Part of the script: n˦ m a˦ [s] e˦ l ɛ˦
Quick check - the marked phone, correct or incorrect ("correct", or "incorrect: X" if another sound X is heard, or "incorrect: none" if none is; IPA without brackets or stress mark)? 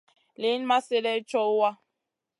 correct